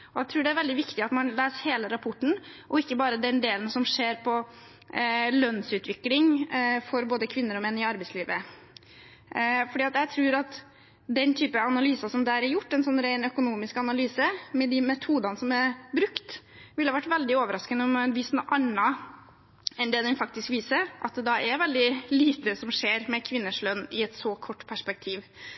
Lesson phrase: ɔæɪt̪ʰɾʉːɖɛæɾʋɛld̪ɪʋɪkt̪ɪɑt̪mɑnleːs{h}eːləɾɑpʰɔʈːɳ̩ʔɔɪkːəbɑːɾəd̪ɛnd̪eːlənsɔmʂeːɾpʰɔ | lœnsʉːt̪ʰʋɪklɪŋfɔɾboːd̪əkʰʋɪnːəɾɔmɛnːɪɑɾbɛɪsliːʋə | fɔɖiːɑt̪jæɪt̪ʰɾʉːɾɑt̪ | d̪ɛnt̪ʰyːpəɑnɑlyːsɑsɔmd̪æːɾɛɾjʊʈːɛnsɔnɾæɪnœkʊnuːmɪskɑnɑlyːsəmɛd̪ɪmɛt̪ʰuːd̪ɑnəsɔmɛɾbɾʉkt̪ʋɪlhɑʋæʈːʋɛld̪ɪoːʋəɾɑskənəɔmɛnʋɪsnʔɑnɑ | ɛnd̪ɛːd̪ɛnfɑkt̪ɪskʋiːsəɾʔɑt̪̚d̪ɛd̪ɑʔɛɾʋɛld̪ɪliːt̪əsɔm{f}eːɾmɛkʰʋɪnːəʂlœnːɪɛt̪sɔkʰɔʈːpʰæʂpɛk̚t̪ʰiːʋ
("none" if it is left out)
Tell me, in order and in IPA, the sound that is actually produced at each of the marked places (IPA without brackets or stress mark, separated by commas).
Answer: h, ʂ